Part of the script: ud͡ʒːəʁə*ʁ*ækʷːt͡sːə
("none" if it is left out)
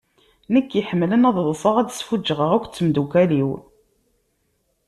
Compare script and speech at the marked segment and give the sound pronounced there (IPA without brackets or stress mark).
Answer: ʁ